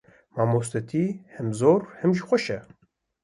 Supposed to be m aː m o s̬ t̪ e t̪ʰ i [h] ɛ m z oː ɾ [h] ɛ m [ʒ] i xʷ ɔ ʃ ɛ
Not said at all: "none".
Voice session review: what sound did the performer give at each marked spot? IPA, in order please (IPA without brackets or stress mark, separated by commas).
h, h, ʒ